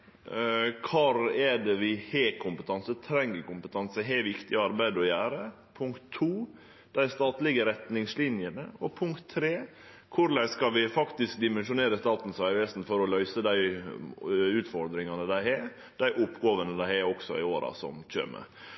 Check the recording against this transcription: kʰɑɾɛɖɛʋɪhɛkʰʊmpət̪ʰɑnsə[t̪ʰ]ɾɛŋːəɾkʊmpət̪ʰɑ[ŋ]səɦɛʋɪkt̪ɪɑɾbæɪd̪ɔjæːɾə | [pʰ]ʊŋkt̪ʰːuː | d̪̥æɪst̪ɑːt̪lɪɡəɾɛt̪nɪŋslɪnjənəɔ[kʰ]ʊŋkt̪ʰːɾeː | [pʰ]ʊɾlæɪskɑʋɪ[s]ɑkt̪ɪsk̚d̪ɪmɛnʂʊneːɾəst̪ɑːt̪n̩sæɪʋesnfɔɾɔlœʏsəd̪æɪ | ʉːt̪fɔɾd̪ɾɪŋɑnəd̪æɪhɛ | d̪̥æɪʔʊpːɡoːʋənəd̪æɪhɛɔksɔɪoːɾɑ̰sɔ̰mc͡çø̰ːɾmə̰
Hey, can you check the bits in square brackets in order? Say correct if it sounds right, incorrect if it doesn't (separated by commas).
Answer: correct, incorrect, correct, incorrect, incorrect, incorrect